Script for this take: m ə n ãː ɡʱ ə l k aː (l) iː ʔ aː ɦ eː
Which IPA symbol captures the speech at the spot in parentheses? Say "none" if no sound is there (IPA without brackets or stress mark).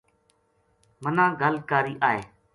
ɾ